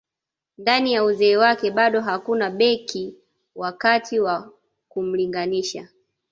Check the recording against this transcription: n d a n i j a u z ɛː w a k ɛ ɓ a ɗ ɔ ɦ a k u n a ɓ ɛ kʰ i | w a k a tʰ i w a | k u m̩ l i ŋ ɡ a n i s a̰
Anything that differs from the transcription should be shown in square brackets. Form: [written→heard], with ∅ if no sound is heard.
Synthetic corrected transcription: n d a n i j a u z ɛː w a k ɛ ɓ a ɗ ɔ ɦ a k u n a ɓ ɛ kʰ i | w a k a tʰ i w a | k u m̩ l i ŋ ɡ a n i [s→ʃ] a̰